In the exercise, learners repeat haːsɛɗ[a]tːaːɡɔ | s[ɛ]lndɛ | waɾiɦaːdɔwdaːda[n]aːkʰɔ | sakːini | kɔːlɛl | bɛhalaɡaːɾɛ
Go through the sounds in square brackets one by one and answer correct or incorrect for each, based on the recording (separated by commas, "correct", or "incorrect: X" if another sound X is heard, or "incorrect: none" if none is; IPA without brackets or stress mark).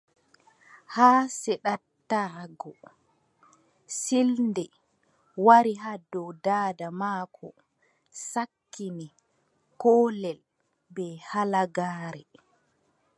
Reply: correct, incorrect: i, incorrect: m